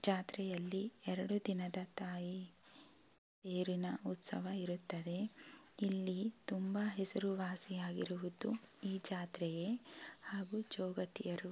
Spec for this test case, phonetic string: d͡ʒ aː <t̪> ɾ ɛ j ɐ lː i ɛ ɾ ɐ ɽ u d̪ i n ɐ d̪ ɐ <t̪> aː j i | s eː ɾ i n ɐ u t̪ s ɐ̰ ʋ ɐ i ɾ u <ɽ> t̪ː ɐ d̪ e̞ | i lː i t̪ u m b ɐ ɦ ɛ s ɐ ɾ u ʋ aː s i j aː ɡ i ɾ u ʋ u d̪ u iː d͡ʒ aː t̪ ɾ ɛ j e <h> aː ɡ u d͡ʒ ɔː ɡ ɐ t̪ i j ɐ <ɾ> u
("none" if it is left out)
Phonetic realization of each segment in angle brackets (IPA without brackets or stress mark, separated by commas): t̪, t̪, none, h, ɾ